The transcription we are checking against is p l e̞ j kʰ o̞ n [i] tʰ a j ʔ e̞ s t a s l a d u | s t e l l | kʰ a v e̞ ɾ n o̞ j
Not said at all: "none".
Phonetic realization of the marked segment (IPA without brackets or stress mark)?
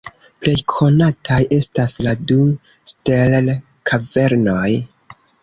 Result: a